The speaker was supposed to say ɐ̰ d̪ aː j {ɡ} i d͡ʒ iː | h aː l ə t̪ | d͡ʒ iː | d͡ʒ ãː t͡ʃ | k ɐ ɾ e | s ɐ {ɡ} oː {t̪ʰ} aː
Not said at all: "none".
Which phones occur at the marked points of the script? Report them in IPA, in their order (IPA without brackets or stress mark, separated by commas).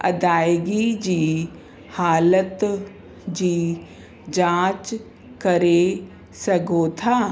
ɡ, ɡ, t̪ʰ